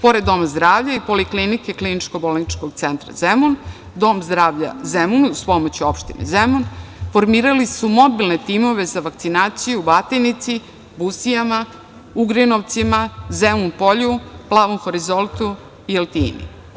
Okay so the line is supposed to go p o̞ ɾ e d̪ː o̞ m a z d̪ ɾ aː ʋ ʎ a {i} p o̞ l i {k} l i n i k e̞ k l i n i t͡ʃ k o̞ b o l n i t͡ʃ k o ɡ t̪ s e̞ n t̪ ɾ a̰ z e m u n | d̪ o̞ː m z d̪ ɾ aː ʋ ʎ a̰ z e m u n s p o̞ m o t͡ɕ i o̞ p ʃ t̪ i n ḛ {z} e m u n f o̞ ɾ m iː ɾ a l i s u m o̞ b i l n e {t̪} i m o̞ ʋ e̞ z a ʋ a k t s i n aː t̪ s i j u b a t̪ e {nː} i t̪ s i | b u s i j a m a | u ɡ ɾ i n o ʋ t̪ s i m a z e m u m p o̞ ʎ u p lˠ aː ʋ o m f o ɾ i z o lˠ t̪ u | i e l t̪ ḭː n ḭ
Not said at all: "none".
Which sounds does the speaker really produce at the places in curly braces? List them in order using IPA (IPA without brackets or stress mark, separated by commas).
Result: i, k, z, t̪, n